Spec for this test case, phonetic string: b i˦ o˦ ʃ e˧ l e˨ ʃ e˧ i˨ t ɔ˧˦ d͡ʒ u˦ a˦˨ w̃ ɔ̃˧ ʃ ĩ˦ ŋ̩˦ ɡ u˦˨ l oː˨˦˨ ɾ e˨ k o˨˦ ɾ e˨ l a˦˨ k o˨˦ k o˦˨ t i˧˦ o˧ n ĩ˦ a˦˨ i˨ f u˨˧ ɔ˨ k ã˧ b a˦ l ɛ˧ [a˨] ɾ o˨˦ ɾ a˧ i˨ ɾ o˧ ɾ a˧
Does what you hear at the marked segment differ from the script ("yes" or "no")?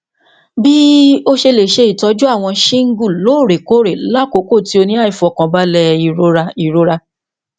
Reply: yes